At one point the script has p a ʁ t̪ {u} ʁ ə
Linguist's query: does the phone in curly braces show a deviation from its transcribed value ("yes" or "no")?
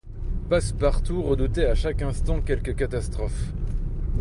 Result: no